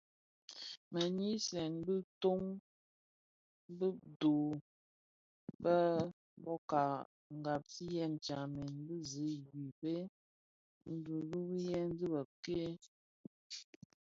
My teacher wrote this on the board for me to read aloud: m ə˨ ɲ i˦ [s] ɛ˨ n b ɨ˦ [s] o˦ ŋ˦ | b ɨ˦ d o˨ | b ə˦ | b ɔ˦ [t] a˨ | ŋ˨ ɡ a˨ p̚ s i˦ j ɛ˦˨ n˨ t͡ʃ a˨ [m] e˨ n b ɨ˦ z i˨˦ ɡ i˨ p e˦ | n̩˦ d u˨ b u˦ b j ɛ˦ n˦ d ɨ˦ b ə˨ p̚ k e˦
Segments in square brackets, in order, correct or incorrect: correct, incorrect: t, incorrect: k, correct

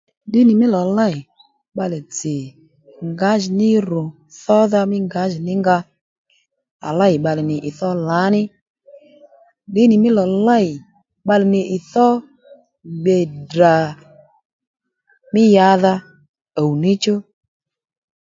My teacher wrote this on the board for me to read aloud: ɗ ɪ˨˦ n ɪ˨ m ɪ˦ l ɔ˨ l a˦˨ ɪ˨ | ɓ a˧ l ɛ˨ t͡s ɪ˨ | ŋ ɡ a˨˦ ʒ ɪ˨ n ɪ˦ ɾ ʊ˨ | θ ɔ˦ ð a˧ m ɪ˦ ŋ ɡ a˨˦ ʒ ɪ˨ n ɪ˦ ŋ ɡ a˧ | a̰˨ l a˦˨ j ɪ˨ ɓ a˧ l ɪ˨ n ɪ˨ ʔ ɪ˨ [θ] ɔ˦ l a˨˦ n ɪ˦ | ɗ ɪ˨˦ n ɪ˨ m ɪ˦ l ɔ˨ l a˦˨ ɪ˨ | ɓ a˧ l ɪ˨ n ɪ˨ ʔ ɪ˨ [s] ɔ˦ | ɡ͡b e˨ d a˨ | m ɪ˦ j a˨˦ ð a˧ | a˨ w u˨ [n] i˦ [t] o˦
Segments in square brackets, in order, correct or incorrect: correct, incorrect: θ, correct, incorrect: t͡ʃ

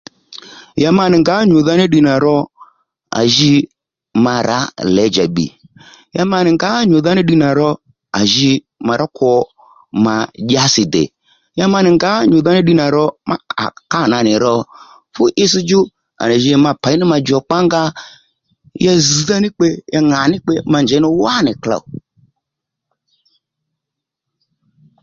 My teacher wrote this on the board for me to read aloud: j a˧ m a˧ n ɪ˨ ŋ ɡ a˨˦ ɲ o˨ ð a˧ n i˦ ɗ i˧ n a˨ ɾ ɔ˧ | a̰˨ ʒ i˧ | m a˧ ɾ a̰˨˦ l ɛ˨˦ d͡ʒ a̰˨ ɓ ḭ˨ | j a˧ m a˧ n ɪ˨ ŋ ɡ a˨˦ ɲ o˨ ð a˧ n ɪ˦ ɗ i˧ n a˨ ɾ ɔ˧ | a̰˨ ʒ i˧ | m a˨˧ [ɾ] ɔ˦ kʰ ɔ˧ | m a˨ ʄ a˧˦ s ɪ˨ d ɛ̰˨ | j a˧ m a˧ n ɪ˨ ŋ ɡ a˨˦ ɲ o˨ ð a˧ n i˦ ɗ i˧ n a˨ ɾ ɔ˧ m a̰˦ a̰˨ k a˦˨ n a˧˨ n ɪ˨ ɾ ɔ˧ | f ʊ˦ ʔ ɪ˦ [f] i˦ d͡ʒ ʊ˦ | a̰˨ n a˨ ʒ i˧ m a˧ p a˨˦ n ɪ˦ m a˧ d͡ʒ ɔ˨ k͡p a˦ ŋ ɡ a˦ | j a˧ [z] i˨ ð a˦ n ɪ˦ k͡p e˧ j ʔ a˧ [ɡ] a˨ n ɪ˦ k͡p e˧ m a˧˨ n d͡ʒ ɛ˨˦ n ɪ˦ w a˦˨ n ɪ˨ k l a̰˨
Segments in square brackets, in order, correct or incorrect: correct, incorrect: s, correct, incorrect: ŋ

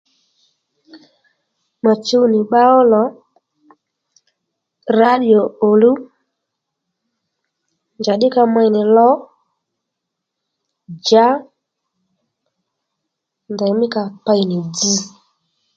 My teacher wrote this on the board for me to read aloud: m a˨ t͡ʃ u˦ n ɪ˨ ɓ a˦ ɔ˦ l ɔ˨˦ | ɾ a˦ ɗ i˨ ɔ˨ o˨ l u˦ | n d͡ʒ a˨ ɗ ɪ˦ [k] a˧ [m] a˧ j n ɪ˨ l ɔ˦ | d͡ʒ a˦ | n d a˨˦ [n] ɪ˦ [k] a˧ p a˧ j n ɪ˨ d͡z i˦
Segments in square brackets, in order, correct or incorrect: correct, correct, incorrect: m, correct

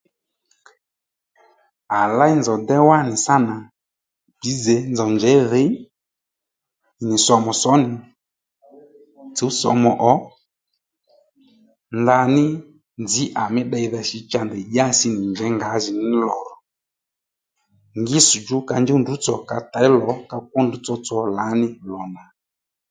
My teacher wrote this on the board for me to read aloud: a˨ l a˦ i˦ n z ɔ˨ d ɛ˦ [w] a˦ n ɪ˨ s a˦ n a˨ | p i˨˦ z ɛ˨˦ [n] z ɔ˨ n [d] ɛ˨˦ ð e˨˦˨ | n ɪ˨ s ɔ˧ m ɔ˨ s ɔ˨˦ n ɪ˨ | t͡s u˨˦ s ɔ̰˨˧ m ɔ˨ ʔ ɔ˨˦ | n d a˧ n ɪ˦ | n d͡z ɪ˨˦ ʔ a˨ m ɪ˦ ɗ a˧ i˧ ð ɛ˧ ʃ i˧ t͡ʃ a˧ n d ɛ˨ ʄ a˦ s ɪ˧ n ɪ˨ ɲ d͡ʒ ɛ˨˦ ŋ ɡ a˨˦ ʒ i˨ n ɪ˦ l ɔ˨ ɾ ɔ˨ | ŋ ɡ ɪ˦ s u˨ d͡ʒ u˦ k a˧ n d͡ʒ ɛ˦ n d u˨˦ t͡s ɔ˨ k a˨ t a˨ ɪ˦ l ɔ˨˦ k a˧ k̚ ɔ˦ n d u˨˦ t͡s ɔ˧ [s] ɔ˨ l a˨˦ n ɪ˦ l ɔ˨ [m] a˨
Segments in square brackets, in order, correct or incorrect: correct, correct, incorrect: d͡ʒ, incorrect: t͡s, incorrect: n

